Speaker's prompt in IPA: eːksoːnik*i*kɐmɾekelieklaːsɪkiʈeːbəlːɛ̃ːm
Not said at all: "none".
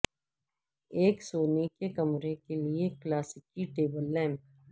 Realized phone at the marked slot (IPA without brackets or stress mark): e